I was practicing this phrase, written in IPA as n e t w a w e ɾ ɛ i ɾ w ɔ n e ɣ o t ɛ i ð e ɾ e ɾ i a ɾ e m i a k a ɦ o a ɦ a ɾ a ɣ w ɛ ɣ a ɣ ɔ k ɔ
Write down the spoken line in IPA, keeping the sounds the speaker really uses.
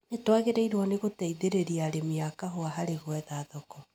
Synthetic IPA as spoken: n e t w a ɣ e ɾ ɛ i ɾ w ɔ n e ɣ o t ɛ i ð e ɾ e ɾ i a ɾ e m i a k a ɦ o a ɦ a ɾ e ɣ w ɛ ð a ð ɔ k ɔ